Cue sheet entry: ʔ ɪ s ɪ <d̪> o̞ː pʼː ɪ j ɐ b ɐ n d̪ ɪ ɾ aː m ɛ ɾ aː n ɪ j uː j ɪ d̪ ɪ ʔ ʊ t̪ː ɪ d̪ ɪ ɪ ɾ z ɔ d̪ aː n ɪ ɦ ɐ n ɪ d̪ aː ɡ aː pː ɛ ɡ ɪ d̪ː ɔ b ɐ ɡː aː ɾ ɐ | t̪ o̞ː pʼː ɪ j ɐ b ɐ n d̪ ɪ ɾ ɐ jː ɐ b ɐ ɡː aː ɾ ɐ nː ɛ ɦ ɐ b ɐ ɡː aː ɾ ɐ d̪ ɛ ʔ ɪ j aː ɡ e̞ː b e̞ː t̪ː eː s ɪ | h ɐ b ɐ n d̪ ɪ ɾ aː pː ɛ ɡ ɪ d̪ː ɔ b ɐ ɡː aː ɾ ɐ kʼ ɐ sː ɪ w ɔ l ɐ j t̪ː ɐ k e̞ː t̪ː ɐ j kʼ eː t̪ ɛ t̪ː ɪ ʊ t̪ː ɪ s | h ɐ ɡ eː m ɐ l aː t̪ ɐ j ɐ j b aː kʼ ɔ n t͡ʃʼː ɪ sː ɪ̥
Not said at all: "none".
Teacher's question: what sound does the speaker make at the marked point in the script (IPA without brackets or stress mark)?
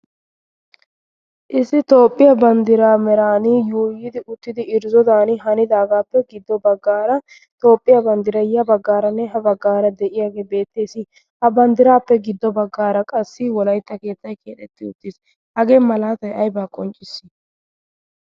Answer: t̪